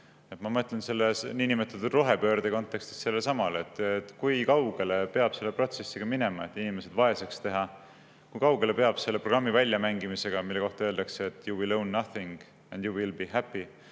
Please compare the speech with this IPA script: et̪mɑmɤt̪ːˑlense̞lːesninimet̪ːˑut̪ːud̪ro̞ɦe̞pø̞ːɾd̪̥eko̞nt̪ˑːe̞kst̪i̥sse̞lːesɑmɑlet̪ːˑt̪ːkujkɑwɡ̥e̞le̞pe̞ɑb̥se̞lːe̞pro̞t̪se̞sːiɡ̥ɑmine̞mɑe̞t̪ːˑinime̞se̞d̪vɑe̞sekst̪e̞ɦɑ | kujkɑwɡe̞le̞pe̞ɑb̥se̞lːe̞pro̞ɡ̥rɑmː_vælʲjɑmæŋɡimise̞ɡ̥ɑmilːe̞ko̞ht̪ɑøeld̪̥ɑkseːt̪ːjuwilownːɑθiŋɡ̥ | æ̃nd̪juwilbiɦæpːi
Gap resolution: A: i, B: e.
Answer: A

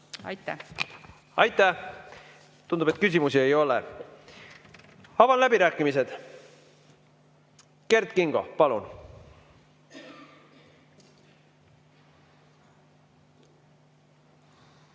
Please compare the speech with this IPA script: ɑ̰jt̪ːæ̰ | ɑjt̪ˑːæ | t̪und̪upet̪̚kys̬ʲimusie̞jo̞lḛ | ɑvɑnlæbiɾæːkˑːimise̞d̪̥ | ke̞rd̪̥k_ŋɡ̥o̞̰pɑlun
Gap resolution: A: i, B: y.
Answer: A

